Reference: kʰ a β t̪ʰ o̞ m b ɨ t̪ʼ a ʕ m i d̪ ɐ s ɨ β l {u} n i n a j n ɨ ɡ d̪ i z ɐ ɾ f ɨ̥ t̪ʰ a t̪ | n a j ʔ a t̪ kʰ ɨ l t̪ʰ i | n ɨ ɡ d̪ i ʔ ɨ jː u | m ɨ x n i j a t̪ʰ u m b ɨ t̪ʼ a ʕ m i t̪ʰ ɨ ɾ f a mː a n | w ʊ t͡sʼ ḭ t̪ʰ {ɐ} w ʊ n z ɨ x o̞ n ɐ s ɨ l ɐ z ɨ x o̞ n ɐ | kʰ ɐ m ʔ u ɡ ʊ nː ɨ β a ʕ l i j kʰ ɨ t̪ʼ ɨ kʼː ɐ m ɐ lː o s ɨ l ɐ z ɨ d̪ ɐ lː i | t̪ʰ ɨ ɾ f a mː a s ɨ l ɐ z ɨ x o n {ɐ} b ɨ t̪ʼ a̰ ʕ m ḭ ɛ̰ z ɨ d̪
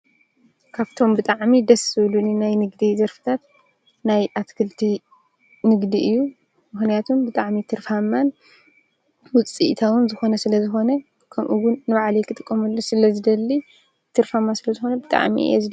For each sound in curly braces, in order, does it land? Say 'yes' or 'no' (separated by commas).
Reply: yes, no, yes